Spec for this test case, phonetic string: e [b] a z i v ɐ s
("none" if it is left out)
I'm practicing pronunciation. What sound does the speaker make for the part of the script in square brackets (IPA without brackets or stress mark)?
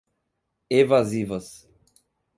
v